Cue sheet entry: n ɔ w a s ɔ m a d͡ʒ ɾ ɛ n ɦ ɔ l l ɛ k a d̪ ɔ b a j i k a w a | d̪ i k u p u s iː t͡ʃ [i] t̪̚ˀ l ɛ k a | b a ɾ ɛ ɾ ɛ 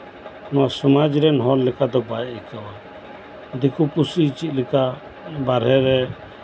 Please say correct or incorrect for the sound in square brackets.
correct